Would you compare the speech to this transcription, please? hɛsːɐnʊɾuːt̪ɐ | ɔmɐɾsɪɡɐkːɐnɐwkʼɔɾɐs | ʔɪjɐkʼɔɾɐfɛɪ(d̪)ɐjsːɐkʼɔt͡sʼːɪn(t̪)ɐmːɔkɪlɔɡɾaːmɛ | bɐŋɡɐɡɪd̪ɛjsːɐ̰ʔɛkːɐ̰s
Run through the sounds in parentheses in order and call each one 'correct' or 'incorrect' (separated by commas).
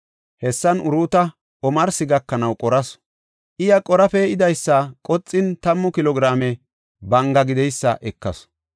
correct, correct